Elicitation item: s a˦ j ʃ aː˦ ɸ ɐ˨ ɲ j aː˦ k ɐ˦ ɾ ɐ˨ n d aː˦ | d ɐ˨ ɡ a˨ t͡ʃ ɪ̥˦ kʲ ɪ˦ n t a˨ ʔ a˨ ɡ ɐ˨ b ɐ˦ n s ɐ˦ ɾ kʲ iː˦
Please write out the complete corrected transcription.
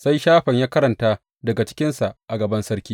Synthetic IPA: s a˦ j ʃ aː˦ ɸ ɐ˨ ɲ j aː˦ k ɐ˦ ɾ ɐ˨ n t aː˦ | d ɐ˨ ɡ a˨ t͡ʃ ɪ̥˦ kʲ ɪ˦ n s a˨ ʔ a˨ ɡ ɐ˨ b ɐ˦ n s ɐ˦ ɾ kʲ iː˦